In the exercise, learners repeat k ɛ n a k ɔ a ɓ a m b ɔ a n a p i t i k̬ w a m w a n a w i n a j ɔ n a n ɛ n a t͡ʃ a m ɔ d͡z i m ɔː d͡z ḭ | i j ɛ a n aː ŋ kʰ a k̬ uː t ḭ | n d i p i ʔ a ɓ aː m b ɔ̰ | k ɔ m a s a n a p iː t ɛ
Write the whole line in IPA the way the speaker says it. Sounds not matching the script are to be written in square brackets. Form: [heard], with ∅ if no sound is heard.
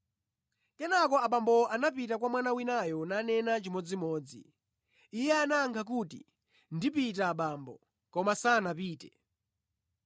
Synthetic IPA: k ɛ n a k ɔ a ɓ a m b ɔ a n a p i t [a] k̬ w a m w a n a w i n a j ɔ n a n ɛ n a t͡ʃ [i] m ɔ d͡z i m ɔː d͡z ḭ | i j ɛ a n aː ŋ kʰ a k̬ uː t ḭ | n d i p i [t] a ɓ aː m b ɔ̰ | k ɔ m a s a n a p iː t ɛ